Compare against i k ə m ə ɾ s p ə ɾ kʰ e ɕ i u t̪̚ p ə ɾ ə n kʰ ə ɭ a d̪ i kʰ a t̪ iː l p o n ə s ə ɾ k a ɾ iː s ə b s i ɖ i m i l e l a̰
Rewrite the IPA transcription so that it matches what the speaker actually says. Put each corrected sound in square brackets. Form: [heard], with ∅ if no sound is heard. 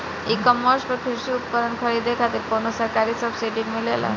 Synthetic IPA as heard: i k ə m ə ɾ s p ə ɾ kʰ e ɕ i u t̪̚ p ə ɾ ə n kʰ ə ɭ [i] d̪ [e] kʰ a t̪ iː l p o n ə s ə ɾ k a ɾ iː s ə b s i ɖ i m i l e l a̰